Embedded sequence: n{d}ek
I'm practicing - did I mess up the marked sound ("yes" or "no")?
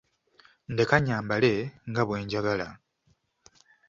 no